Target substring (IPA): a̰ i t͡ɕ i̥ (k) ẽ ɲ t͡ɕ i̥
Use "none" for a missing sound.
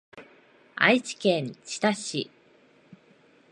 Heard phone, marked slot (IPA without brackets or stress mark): k